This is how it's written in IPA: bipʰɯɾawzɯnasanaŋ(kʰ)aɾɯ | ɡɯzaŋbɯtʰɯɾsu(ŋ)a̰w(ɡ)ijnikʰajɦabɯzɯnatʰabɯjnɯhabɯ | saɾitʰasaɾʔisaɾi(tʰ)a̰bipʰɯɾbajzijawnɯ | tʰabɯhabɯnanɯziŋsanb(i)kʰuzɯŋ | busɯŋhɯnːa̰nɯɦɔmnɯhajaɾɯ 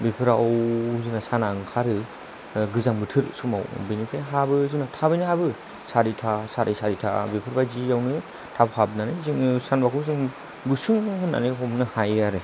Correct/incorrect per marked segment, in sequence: correct, incorrect, incorrect, correct, incorrect

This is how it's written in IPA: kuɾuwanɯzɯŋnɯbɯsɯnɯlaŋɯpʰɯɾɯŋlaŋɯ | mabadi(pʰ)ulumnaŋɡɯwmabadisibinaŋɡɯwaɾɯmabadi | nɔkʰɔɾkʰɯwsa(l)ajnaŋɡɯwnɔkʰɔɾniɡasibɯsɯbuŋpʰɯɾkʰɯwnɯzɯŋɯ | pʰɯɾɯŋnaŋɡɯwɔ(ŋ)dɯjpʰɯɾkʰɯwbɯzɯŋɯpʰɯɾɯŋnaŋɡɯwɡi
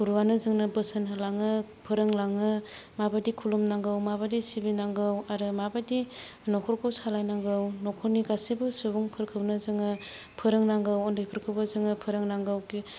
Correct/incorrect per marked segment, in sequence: incorrect, correct, incorrect

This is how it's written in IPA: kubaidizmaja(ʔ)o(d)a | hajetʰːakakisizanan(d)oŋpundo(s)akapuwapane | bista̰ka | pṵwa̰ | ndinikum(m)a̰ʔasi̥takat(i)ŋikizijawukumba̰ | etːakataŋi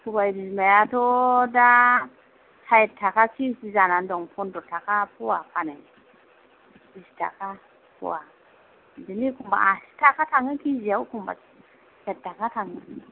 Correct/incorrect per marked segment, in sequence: incorrect, correct, correct, incorrect, incorrect, incorrect

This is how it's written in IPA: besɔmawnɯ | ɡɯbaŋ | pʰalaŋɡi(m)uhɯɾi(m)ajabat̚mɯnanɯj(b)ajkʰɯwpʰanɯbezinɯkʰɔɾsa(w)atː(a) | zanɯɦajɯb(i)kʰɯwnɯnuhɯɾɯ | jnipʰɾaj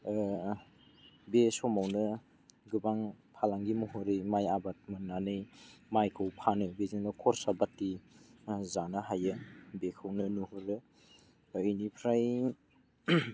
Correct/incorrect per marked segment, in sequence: correct, correct, incorrect, incorrect, incorrect, incorrect

